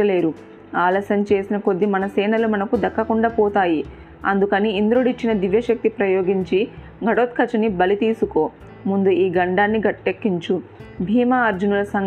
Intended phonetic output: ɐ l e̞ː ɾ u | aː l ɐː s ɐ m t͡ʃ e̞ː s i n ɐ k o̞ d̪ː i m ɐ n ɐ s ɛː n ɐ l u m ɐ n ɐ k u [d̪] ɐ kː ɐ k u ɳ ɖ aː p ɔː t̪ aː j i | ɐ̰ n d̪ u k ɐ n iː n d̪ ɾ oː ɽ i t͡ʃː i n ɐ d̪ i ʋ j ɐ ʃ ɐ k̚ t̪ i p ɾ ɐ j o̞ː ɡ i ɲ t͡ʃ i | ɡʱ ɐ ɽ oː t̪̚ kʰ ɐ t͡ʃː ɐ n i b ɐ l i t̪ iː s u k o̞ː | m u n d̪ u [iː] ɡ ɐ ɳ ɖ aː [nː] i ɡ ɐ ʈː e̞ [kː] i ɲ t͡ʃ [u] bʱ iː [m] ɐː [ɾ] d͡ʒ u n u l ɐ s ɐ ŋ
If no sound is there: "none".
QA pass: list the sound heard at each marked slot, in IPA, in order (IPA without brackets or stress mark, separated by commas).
d̪, iː, nː, kː, u, m, ɾ